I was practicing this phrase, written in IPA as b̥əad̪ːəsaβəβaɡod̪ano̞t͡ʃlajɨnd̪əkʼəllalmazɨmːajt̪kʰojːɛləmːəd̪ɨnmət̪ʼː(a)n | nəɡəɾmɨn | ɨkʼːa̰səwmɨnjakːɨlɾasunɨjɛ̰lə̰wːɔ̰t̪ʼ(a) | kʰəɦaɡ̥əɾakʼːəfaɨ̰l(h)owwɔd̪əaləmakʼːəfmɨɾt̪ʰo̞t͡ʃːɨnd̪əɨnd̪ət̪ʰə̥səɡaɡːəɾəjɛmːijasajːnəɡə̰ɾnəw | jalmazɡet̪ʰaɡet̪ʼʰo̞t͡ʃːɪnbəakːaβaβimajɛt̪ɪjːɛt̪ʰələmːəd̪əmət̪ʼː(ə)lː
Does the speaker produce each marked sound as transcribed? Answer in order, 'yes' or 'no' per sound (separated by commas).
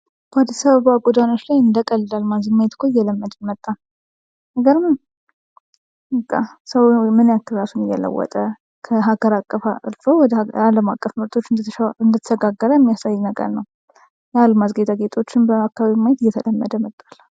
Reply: yes, no, no, no